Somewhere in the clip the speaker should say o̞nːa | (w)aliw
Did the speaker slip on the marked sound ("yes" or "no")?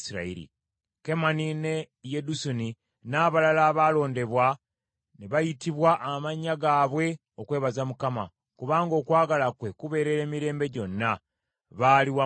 yes